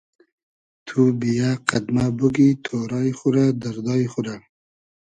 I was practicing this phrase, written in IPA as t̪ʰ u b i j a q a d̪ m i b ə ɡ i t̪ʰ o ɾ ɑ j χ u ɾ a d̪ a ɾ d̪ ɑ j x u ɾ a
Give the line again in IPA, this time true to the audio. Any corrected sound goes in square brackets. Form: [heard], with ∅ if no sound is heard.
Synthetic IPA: t̪ʰ u b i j a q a d̪ m [a] b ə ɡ i t̪ʰ o ɾ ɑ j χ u ɾ a d̪ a ɾ d̪ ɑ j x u ɾ a